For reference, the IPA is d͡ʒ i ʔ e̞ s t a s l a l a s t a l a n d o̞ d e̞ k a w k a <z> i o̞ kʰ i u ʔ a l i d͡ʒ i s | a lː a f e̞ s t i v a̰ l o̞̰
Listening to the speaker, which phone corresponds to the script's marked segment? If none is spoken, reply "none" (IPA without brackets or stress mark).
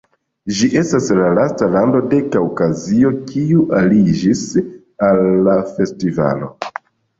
z